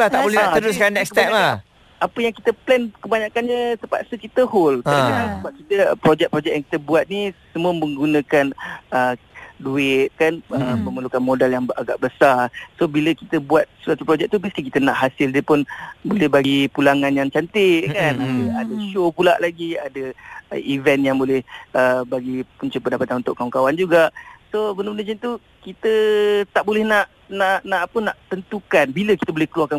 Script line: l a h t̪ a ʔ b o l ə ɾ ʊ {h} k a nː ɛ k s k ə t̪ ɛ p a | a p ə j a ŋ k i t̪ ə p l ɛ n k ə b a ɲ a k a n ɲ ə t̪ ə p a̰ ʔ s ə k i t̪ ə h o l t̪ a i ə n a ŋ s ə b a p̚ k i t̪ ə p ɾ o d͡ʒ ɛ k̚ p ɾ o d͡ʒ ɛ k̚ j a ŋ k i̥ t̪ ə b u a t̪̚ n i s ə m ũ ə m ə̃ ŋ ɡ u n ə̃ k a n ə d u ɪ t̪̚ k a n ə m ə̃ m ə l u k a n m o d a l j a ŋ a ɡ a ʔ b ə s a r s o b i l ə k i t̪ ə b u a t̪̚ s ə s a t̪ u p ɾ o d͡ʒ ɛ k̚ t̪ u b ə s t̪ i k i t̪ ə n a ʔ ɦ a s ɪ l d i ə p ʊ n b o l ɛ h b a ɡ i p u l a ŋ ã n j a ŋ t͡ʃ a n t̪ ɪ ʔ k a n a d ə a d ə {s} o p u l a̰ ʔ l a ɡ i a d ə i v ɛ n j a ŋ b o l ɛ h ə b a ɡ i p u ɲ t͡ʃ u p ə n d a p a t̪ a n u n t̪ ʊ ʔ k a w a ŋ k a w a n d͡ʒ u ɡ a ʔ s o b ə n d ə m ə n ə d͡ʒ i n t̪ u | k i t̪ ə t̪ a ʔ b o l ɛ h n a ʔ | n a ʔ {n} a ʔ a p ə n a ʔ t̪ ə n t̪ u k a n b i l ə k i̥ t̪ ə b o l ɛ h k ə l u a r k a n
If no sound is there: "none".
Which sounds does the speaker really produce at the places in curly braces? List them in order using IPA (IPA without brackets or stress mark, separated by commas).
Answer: s, ʃ, n